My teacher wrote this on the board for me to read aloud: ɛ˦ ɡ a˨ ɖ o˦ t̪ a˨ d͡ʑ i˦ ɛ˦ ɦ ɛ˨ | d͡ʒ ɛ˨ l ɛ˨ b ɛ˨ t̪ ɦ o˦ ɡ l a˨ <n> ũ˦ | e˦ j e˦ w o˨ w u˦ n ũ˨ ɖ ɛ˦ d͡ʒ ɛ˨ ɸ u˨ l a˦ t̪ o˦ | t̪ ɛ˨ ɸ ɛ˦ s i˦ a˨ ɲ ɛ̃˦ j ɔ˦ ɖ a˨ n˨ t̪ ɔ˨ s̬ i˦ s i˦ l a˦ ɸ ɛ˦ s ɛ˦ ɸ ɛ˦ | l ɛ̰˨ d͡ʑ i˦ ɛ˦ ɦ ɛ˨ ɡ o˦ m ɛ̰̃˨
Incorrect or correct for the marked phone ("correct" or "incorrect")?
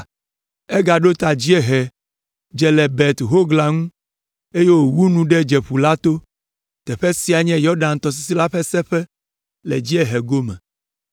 incorrect